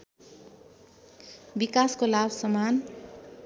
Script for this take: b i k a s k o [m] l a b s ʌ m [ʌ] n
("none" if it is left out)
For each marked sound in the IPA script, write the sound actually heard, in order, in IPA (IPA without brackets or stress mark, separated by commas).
none, a